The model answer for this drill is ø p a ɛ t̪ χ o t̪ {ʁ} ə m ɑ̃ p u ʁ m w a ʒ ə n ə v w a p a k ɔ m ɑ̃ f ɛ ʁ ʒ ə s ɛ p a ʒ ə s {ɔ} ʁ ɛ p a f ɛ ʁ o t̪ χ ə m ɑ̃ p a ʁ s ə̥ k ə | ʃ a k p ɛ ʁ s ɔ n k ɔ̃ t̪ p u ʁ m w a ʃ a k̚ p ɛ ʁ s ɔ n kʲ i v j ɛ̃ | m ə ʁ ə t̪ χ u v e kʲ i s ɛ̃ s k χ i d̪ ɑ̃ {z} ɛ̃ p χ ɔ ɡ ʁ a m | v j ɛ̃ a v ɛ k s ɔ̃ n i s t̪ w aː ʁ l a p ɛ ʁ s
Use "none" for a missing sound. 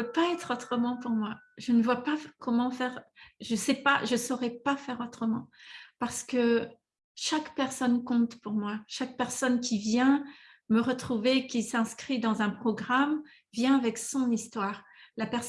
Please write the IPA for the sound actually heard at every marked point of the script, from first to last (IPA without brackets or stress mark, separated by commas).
χ, ɔ, z